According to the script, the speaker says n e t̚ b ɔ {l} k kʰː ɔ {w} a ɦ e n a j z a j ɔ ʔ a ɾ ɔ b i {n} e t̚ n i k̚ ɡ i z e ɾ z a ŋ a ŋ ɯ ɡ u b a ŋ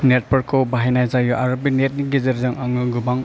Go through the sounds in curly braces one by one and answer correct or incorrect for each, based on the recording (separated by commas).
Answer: incorrect, incorrect, correct